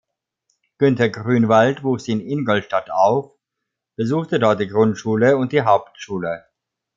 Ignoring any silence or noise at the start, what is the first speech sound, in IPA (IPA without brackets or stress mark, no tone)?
ɡ̥